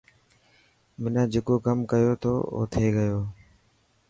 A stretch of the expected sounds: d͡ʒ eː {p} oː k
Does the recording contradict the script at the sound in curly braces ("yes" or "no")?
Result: yes